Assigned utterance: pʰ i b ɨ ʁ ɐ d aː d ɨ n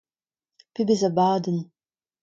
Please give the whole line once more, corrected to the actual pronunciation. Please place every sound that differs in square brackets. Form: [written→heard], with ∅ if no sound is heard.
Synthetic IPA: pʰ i b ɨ [ʁ→z] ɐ [d→b] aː d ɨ n